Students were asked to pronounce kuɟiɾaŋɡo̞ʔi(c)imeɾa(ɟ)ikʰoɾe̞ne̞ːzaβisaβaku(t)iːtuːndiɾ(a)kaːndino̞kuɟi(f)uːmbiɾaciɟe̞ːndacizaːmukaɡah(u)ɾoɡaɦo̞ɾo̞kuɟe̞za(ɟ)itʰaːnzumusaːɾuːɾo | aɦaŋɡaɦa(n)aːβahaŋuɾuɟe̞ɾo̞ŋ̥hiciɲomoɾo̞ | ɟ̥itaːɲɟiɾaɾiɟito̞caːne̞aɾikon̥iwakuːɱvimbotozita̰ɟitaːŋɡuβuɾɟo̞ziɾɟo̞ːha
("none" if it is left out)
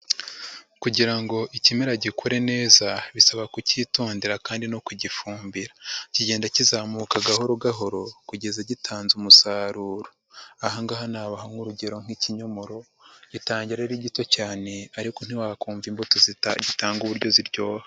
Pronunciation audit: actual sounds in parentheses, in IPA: c, ɟ, c, a, f, o, ɟ, n

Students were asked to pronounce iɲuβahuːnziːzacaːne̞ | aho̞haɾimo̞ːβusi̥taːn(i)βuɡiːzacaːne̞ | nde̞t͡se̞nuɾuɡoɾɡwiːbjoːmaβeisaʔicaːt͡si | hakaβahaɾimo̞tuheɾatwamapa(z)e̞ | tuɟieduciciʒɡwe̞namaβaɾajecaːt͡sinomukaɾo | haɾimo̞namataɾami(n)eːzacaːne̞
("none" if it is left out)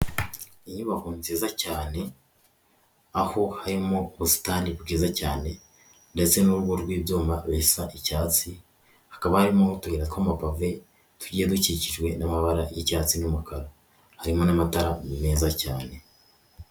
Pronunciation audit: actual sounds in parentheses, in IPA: i, v, m

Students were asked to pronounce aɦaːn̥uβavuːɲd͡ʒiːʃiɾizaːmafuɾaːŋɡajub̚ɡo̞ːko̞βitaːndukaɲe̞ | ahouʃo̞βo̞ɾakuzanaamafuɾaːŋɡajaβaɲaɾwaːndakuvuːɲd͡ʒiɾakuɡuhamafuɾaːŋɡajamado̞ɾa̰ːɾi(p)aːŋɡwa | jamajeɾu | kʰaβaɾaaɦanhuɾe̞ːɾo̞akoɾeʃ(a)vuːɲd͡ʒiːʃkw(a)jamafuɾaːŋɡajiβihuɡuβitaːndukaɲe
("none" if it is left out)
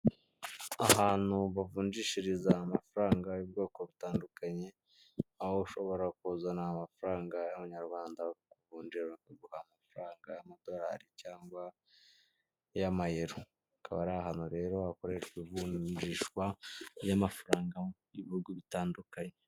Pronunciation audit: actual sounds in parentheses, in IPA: c, i, a

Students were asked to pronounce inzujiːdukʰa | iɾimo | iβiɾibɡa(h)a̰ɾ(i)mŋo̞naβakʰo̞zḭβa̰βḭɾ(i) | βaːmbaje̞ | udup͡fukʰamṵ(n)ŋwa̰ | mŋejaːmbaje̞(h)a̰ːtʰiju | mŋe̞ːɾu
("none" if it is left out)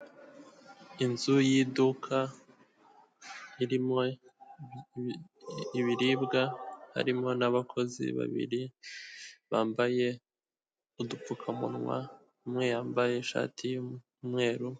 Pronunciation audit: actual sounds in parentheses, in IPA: h, i, i, n, ʃ

